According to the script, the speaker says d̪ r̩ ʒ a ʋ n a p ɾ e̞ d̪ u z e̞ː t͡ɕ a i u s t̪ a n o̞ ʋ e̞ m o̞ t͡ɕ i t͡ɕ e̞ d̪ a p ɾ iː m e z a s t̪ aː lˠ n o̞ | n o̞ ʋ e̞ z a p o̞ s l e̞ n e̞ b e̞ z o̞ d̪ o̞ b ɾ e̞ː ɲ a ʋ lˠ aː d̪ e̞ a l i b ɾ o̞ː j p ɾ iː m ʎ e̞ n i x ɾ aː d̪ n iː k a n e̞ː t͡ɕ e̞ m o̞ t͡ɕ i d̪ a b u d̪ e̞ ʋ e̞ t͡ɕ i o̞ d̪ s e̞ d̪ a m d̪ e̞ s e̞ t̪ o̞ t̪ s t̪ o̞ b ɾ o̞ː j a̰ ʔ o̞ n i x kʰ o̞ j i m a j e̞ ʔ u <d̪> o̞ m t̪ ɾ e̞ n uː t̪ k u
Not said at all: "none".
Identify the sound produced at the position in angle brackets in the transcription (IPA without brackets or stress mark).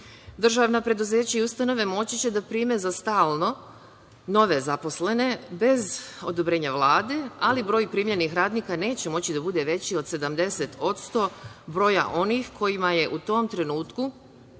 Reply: t̪